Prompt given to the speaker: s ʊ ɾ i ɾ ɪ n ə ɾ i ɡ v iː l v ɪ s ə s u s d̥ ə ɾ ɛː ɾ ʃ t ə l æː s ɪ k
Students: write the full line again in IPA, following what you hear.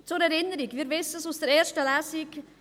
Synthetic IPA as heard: t͡s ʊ ɾ ɛ ɾ ɪ n ə ɾ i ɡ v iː ɾ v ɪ s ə s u s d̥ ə ɾ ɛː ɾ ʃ t ə l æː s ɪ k